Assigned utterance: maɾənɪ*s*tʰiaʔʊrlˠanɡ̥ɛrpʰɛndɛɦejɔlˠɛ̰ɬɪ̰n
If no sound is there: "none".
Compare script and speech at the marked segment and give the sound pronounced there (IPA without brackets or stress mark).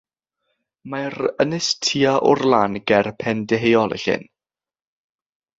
s